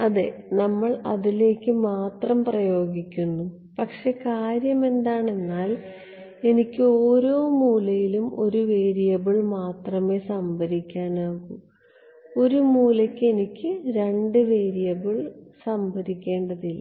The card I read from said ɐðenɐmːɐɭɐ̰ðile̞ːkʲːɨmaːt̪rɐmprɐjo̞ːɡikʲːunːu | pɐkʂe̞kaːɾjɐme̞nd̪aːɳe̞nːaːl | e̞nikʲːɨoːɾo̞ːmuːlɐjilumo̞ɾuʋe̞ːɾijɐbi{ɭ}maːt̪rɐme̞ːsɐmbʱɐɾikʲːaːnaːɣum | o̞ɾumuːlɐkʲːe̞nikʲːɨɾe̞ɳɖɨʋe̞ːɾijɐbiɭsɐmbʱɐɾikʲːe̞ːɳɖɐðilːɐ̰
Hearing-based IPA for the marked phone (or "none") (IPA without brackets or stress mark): ɭ